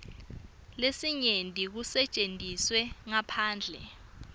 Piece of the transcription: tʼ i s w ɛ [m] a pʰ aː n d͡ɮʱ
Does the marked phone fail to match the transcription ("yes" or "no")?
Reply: yes